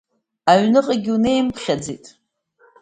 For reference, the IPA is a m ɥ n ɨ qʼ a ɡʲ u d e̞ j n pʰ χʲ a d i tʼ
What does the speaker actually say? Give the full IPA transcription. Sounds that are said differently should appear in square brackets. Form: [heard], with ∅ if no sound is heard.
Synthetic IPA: a [∅] ɥ n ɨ qʼ a ɡʲ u [n] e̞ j [m] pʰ χʲ a [d͡z] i tʼ